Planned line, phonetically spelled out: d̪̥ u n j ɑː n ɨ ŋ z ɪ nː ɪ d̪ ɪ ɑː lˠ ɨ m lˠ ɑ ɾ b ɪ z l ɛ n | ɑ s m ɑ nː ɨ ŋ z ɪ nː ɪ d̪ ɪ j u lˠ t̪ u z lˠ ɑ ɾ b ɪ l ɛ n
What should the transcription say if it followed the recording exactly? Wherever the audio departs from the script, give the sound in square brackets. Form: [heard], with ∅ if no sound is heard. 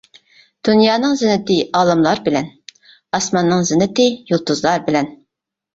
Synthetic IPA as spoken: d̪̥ u n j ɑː n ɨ ŋ z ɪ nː ɪ [t̪] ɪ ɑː lˠ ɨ m lˠ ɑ ɾ b ɪ [∅] l ɛ n | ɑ s m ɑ nː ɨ ŋ z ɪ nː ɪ [t̪] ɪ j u lˠ t̪ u z lˠ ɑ ɾ b ɪ l ɛ n